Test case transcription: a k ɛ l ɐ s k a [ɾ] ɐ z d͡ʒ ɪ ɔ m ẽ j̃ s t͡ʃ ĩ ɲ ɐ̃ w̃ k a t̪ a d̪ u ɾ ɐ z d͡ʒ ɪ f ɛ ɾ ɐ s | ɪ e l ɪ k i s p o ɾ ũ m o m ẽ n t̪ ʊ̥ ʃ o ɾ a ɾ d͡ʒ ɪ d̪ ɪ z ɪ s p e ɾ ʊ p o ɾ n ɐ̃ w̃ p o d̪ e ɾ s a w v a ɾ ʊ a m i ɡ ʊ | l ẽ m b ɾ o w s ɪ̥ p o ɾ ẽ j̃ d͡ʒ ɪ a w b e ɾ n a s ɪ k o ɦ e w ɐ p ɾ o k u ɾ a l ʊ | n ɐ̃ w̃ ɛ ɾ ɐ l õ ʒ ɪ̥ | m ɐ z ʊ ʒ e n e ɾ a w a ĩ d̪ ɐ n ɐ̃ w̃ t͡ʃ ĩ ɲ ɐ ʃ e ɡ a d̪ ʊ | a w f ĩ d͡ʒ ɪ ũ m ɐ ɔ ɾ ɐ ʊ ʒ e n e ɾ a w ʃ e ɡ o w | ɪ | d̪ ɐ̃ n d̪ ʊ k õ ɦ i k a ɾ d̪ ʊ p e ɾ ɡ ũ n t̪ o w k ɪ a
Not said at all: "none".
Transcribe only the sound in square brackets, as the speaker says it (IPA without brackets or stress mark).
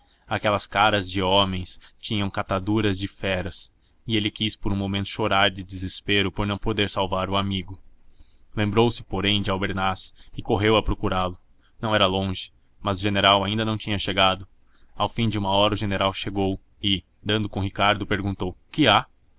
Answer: ɾ